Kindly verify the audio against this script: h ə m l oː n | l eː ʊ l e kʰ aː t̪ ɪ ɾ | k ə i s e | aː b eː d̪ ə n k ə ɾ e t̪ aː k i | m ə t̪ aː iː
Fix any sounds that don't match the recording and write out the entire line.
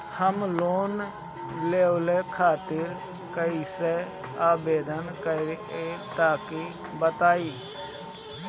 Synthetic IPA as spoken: h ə m l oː n | l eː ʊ l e kʰ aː t̪ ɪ ɾ | k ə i s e | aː b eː d̪ ə n k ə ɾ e t̪ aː k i | b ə t̪ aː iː